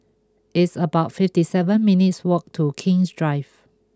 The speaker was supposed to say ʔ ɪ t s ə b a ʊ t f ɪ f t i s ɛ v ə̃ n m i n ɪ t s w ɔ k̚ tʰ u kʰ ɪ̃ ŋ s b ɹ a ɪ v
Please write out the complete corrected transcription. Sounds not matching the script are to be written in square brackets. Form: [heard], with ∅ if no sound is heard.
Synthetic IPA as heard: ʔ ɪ t s ə b a ʊ t f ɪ f t i s ɛ v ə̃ n m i n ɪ t s w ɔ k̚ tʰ u kʰ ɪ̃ ŋ s [d] ɹ a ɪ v